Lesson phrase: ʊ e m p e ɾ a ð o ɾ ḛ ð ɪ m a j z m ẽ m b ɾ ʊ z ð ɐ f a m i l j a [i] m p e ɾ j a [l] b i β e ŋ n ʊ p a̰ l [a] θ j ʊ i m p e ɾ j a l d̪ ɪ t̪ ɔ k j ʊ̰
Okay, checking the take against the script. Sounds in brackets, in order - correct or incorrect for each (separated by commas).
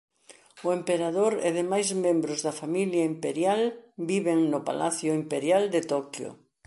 correct, correct, correct